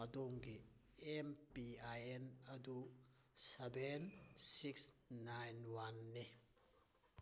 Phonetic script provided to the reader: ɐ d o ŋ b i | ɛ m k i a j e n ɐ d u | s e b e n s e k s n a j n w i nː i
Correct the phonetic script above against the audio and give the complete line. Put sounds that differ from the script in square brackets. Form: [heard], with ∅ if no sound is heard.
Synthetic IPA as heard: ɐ d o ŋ [ɡ] i | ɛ m [p] i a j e n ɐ d u | s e b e n s [i] k s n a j n w [a] nː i